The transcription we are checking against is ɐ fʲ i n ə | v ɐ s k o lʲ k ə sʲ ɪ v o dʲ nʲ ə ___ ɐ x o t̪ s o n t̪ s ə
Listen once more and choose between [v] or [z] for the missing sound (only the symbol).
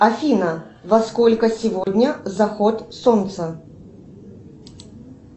z